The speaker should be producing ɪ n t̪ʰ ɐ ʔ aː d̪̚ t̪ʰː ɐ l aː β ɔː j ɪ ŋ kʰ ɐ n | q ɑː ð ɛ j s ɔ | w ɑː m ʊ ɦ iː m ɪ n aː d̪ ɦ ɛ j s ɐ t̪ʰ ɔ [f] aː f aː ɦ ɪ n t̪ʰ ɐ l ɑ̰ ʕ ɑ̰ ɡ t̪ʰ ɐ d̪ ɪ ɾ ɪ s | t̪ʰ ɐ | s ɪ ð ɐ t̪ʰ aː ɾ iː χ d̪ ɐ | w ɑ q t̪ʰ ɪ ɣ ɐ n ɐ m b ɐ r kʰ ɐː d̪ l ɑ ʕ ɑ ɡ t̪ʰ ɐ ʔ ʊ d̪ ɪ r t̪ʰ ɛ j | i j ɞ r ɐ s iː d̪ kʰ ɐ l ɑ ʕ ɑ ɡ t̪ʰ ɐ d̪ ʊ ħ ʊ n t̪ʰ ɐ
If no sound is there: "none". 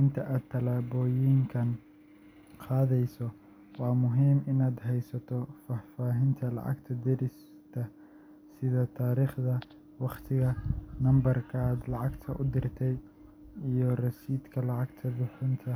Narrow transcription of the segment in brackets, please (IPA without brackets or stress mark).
f